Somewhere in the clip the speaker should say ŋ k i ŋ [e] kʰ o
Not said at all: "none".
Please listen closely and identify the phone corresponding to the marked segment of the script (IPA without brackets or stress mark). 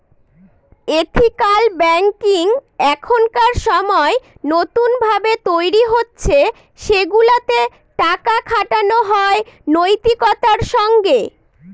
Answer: ɛ